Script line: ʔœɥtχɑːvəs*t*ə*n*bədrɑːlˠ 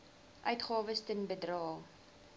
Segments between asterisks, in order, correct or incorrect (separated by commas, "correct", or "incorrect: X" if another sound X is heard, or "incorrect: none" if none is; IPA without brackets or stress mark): correct, correct